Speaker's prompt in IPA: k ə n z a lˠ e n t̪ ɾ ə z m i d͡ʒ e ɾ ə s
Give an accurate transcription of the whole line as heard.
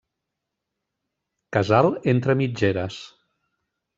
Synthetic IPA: k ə z a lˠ e n t̪ ɾ ə m i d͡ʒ e ɾ ə s